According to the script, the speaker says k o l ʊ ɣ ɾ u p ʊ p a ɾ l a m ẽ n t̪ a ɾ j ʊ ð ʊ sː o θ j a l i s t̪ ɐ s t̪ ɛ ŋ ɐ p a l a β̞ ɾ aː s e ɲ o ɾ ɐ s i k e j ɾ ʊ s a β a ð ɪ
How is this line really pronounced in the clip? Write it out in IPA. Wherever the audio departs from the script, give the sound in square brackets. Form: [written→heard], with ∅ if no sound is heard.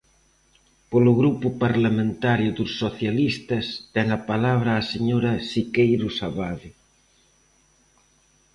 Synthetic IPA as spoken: [k→p] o l ʊ ɣ ɾ u p ʊ p a ɾ l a m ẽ n t̪ a ɾ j ʊ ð ʊ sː o θ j a l i s t̪ ɐ s t̪ ɛ ŋ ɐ p a l a β̞ ɾ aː s e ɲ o ɾ ɐ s i k e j ɾ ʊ s a β a ð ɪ